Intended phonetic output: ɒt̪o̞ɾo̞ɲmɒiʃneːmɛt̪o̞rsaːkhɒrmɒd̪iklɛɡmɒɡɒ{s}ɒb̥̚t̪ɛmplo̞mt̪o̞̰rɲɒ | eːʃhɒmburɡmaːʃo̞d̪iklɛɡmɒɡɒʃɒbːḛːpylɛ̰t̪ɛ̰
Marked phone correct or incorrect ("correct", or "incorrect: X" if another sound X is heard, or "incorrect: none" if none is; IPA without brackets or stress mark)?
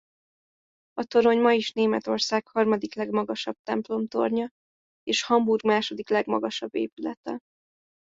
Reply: incorrect: ʃ